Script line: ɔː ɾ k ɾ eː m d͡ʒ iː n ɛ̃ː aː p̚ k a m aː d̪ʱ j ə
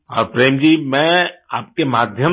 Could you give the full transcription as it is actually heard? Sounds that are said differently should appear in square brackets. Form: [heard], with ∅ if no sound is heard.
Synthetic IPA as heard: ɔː ɾ [p] ɾ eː m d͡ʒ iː [m] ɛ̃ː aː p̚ k [e] m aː d̪ʱ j ə